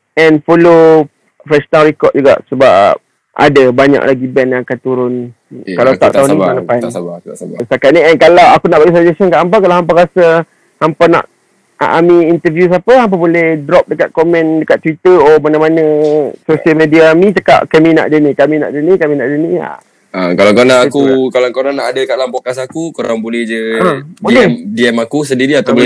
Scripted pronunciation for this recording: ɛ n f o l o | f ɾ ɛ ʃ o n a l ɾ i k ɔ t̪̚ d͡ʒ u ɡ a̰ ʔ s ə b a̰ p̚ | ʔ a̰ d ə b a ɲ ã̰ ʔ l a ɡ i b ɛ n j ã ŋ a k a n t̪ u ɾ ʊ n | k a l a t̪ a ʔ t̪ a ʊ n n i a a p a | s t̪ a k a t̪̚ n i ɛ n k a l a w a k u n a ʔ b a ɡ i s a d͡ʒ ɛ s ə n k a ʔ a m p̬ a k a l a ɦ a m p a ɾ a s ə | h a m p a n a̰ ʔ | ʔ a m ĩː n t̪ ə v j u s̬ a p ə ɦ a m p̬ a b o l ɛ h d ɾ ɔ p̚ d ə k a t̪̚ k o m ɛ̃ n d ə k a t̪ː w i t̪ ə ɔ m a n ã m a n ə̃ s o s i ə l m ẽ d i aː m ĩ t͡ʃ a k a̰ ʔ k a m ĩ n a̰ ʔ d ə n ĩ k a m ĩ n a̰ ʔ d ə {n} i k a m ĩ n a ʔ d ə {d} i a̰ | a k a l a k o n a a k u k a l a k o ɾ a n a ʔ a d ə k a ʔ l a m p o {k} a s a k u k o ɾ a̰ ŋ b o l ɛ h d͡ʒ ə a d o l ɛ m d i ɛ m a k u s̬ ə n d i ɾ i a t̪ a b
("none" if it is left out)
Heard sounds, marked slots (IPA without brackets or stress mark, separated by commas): n, n, k